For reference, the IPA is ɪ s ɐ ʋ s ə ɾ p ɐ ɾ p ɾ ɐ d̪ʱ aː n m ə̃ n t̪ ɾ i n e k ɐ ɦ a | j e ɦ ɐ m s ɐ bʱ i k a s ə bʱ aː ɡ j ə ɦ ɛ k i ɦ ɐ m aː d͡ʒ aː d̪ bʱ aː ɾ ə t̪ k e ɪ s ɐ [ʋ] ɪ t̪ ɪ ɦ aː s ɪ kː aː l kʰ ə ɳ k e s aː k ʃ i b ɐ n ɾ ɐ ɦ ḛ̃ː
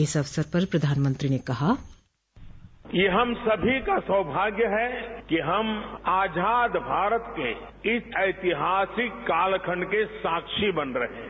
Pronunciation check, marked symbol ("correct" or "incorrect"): incorrect